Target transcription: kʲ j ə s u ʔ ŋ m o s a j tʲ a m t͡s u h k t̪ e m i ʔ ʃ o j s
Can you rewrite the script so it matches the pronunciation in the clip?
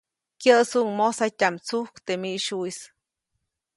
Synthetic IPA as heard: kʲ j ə s u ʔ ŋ m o s a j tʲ a m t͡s u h k t̪ e m i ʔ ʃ u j s